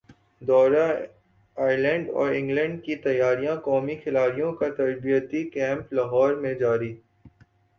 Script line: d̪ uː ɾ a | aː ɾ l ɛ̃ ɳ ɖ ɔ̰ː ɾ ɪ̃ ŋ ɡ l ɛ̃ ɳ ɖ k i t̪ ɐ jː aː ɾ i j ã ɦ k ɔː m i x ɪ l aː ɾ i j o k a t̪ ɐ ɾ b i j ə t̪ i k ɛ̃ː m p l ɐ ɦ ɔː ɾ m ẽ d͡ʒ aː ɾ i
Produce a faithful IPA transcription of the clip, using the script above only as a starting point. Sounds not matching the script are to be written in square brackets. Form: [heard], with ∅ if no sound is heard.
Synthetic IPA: d̪ [ɔː] ɾ a | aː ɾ l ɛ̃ ɳ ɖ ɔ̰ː ɾ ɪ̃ ŋ ɡ l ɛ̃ ɳ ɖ k i t̪ ɐ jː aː ɾ i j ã [∅] k ɔː m i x ɪ l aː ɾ i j [õ] k a t̪ ɐ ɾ b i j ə t̪ i k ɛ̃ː m p l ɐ ɦ ɔː ɾ m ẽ d͡ʒ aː ɾ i